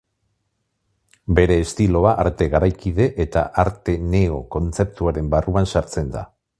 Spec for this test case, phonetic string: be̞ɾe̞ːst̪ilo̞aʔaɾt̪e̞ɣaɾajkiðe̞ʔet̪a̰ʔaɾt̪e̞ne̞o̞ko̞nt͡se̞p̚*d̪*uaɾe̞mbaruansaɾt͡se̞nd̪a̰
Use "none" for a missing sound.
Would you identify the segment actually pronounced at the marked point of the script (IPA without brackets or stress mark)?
t̪